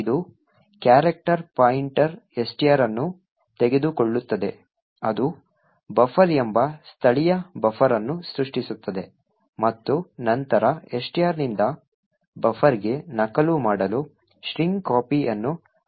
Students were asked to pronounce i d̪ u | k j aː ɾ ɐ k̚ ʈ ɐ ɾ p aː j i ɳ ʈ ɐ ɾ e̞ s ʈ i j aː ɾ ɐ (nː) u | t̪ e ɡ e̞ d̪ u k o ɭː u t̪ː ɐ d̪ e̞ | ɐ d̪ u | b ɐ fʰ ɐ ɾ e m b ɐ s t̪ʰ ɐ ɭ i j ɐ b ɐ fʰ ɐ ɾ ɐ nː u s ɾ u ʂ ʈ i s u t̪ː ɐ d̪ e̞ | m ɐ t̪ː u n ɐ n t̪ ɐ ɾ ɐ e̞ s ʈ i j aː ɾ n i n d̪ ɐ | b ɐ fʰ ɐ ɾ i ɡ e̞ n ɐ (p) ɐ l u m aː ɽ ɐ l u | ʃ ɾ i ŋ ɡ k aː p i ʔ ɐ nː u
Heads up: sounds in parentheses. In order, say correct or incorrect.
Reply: correct, incorrect: k

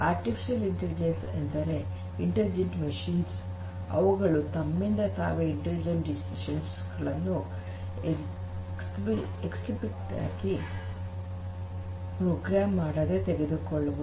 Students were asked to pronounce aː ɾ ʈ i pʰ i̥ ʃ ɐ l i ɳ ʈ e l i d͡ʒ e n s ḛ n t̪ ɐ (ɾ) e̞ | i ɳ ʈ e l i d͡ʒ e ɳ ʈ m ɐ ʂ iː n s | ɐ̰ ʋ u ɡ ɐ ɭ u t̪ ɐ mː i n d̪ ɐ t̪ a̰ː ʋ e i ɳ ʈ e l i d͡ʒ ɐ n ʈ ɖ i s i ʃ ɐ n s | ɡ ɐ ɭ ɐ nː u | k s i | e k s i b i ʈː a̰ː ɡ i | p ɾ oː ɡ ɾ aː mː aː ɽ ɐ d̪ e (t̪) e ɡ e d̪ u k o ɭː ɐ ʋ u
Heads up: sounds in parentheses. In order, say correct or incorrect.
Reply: correct, correct

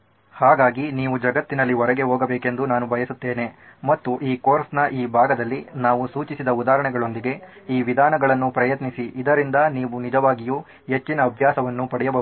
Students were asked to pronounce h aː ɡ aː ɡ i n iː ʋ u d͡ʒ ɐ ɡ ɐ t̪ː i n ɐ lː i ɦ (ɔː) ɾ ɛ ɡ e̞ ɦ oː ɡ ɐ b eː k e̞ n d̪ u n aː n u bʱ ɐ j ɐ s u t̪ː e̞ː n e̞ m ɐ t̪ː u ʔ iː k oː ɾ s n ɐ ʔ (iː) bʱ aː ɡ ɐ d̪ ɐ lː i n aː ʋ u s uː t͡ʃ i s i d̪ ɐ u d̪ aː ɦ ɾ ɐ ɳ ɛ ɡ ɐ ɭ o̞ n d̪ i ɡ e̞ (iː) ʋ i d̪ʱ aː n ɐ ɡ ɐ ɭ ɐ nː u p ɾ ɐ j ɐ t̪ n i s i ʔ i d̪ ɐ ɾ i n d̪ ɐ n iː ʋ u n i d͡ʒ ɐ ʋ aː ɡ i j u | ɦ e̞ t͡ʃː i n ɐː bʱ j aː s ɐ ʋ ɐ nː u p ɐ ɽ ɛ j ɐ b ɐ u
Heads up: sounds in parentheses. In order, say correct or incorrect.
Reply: incorrect: ɔ, correct, correct

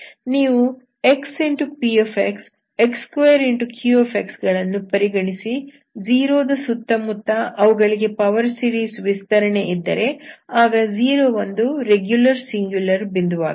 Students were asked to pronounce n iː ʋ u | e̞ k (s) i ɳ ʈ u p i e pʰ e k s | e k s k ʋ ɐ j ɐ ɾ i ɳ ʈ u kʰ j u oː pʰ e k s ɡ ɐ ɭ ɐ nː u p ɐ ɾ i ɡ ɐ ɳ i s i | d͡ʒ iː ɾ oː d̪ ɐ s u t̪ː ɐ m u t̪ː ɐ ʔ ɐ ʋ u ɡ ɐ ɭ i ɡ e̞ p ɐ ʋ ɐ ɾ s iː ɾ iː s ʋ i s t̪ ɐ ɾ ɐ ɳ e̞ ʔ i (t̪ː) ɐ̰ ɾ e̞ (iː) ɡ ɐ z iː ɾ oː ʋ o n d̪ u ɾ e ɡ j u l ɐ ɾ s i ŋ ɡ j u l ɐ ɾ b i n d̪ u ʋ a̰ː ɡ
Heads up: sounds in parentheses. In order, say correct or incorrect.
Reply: correct, incorrect: d̪ː, incorrect: aː

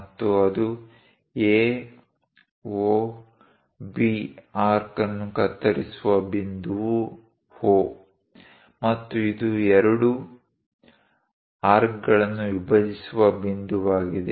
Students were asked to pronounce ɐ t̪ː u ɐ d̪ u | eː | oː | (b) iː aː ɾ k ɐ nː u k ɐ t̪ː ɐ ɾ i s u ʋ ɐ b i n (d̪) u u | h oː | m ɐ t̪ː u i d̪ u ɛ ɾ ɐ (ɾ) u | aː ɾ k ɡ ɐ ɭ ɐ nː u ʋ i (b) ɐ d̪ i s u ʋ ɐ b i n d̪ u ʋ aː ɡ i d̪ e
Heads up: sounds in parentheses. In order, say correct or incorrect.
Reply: correct, correct, incorrect: ɽ, correct

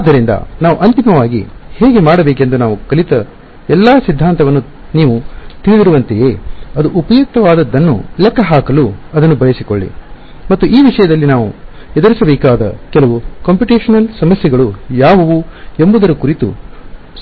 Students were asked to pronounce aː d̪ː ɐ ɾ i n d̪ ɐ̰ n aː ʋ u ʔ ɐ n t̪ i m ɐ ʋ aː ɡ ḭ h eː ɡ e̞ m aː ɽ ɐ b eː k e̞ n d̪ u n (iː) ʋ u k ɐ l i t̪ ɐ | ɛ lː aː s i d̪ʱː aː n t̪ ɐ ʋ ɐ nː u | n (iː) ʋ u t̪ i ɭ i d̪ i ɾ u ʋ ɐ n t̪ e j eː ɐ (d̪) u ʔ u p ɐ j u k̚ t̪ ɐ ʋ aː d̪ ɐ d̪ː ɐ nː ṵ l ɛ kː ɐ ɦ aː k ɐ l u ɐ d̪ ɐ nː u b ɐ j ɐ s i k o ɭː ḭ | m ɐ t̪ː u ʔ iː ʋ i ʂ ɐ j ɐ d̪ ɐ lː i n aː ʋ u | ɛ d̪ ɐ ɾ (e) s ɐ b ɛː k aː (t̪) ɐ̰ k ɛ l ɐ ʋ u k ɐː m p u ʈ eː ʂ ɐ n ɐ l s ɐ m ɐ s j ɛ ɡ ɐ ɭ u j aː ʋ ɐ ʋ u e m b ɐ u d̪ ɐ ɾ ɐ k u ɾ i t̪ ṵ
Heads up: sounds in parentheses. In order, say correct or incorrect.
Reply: incorrect: aː, correct, correct, incorrect: i, incorrect: d̪

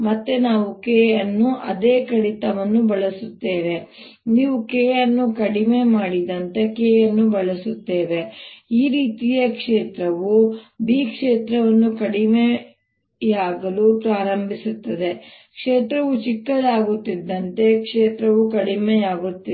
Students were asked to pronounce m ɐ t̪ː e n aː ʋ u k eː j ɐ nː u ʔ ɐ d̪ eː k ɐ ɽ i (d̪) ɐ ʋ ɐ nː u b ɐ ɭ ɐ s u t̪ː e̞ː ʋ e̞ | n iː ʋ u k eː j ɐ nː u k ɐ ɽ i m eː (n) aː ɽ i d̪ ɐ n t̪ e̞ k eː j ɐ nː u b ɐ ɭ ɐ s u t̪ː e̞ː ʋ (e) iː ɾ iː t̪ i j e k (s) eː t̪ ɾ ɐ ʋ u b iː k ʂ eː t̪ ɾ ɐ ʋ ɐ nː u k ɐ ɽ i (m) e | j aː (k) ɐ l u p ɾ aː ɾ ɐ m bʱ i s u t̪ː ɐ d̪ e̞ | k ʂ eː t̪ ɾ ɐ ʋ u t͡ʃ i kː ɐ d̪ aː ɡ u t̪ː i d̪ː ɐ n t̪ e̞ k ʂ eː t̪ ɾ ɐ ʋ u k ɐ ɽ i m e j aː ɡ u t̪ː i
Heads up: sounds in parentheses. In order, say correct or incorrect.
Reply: incorrect: t̪, incorrect: m, correct, incorrect: ʂ, correct, incorrect: ɡ

